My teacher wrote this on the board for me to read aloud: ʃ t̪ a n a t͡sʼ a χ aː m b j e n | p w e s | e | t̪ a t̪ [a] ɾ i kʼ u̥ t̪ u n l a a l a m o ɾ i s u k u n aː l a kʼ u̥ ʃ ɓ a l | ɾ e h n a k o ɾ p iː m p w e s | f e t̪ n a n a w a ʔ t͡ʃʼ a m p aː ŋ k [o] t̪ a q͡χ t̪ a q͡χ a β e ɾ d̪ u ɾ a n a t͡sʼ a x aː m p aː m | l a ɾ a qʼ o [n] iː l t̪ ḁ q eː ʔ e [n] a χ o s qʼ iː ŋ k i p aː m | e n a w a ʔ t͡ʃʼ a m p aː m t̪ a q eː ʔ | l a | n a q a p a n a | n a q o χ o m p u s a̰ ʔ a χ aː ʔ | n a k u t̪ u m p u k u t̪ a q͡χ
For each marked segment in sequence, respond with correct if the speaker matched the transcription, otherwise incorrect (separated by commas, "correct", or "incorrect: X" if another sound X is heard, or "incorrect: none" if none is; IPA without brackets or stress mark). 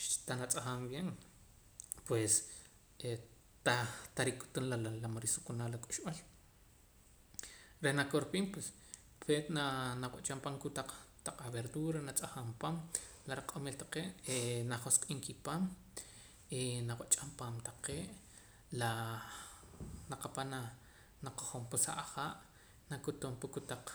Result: correct, incorrect: u, incorrect: m, correct